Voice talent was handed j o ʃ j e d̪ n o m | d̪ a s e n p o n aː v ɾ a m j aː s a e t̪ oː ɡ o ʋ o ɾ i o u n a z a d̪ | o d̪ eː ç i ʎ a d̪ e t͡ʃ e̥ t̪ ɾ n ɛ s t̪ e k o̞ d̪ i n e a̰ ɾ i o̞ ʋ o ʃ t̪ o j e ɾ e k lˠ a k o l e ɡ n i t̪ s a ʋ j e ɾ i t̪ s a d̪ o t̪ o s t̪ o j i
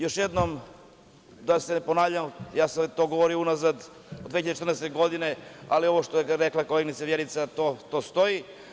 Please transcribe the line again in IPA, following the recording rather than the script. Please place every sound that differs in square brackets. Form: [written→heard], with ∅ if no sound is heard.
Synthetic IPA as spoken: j o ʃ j e d̪ n o m | d̪ a s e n p o n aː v [ɾ→ʎ] a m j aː s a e t̪ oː ɡ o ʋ o ɾ i o u n a z a d̪ | o d̪ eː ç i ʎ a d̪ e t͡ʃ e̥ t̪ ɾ n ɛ s t̪ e [k→ɡ] o̞ d̪ i n e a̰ [ɾ→l] i o̞ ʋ o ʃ t̪ o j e ɾ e k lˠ a k o l e ɡ n i t̪ s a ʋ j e ɾ i t̪ s a [d̪→t̪] o t̪ o s t̪ o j i